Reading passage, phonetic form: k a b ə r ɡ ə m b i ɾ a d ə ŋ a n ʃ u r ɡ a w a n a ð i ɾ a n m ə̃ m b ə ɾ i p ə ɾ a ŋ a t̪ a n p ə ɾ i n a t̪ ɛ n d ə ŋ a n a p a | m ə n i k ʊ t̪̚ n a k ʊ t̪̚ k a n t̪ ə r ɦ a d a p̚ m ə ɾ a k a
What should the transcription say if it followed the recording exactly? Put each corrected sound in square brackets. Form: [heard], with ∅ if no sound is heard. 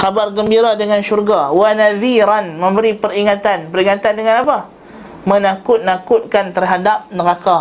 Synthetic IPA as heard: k a b [a] r ɡ ə m b i ɾ a d ə ŋ a n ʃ u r ɡ a w a n a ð i ɾ a n m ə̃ m b ə ɾ i p ə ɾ [i] ŋ a t̪ a n p ə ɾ i [ŋ] a t̪ [a] n d ə ŋ a n a p a | m ə n [a] k ʊ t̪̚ n a k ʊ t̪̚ k a n t̪ ə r ɦ a d a p̚ [n] ə ɾ a k a